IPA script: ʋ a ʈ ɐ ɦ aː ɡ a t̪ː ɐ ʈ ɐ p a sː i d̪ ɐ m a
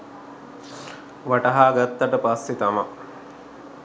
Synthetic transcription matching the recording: ʋ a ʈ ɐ ɦ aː ɡ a t̪ː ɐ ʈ ə p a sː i t̪ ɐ m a